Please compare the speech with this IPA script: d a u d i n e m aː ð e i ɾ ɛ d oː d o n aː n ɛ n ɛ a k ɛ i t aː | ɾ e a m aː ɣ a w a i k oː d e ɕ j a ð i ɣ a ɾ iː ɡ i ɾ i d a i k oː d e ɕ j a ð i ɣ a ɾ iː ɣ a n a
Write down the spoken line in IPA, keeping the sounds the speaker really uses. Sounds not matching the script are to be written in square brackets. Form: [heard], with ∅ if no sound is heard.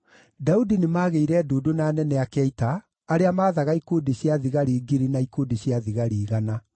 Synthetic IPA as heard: d a u d i n e m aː [ɣ] e i ɾ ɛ d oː d o n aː n ɛ n ɛ a k ɛ i t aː | ɾ e a m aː [ð] a [ɣ] a i k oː d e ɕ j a ð i ɣ a ɾ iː ɡ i ɾ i [n] a i k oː d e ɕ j a ð i ɣ a ɾ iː ɣ a n a